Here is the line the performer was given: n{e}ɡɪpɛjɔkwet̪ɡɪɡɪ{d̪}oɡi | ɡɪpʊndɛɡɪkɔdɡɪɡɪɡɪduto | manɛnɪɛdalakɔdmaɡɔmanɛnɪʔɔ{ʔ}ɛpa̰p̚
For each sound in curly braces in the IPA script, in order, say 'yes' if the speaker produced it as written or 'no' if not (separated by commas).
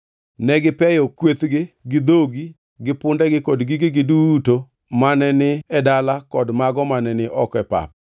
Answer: no, yes, no